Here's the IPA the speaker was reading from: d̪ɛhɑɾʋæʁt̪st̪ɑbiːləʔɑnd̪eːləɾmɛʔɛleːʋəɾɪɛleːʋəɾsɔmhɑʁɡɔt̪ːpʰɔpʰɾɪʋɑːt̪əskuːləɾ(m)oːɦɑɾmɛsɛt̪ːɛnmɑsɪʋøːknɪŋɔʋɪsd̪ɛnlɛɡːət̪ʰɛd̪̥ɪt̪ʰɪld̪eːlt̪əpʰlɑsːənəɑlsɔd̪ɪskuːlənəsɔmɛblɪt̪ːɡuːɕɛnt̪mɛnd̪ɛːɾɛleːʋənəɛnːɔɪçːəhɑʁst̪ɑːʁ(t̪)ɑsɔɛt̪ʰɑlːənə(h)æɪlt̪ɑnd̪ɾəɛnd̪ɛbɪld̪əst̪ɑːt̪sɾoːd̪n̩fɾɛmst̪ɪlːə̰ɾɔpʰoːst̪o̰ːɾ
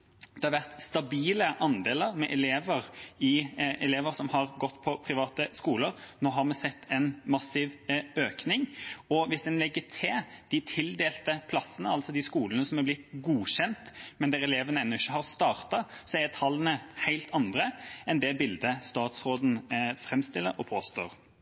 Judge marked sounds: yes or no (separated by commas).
no, yes, yes